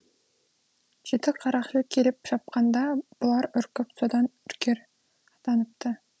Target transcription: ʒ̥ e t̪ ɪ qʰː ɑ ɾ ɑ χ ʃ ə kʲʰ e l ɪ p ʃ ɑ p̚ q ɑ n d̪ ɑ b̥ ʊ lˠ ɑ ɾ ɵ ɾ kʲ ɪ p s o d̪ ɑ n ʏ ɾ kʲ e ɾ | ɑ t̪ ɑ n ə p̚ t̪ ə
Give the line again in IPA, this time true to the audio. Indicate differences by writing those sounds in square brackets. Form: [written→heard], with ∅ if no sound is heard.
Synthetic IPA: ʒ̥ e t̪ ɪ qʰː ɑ ɾ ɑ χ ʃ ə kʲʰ e l ɪ p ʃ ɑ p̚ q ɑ n d̪ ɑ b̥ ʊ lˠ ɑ ɾ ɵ ɾ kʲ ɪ p s o d̪ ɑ n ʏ ɾ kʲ e ɾ | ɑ t̪ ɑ n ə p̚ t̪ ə